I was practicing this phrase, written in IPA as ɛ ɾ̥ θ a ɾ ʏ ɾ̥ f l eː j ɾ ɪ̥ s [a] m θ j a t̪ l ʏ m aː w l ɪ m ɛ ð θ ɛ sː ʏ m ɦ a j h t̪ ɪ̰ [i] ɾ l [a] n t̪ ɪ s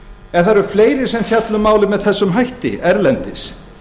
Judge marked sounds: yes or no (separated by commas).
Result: no, no, no